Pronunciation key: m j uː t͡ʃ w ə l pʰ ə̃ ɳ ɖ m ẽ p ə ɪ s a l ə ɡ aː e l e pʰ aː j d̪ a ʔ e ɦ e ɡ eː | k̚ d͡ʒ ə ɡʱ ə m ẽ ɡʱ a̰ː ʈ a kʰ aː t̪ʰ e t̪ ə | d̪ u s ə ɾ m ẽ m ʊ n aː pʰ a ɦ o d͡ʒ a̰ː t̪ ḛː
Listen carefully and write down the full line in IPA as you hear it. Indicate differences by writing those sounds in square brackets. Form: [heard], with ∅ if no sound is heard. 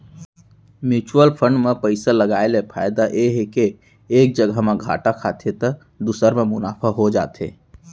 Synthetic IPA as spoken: m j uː t͡ʃ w ə l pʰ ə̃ ɳ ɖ m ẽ p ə ɪ s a l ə ɡ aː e l e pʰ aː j d̪ a ʔ e ɦ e [k] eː | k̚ d͡ʒ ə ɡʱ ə m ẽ ɡʱ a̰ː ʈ a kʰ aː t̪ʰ e t̪ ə | d̪ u s ə ɾ m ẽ m ʊ n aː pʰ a ɦ o d͡ʒ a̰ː t̪ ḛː